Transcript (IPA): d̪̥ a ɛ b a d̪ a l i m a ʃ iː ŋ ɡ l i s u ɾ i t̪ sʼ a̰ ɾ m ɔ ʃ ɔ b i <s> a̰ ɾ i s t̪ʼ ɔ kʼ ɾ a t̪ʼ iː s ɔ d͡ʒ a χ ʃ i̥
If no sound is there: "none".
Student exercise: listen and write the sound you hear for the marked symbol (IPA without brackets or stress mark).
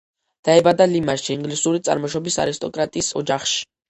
s